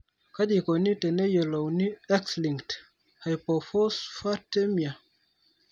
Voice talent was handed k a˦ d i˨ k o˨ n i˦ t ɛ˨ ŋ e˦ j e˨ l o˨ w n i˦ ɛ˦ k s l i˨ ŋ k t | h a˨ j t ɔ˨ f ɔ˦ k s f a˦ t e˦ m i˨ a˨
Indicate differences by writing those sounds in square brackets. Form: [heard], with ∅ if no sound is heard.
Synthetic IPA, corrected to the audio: k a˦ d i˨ k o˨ n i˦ t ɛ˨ [n] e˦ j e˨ l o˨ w n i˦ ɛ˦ k s l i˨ ŋ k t | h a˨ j [p] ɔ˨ f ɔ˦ [∅] s f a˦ t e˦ m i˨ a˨